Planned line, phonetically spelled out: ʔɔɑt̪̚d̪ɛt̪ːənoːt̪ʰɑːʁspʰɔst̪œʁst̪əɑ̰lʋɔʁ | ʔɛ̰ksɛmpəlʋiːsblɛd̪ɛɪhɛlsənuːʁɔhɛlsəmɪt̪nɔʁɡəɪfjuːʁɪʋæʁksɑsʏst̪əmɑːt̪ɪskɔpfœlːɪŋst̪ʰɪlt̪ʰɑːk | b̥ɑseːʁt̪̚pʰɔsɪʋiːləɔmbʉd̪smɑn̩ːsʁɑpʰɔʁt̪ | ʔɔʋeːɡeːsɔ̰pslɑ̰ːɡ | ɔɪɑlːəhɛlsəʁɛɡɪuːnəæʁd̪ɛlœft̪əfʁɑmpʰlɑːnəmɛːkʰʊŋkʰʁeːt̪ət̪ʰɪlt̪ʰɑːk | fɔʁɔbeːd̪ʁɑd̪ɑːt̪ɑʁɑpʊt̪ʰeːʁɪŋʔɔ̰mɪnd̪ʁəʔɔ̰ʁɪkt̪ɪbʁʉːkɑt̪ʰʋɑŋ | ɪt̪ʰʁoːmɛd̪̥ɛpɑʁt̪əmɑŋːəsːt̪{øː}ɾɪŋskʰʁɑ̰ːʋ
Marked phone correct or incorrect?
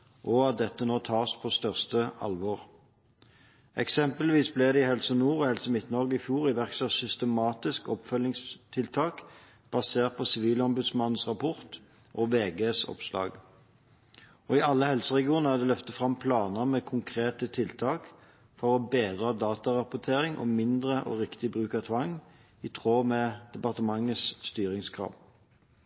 incorrect